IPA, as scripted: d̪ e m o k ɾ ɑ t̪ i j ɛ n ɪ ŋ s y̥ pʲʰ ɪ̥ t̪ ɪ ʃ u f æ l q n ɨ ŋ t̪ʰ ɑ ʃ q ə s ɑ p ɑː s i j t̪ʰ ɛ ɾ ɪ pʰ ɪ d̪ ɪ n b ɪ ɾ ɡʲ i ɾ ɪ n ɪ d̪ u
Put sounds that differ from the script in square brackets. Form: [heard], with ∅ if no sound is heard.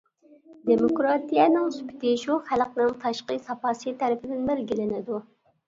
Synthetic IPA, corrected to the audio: d̪ e m o k ɾ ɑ t̪ i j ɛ n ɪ ŋ s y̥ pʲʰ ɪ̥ t̪ ɪ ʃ u [χ] æ l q n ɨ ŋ t̪ʰ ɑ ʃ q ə s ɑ p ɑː s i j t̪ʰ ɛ ɾ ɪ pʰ ɪ d̪ ɪ n b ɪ ɾ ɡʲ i [l] ɪ n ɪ d̪ u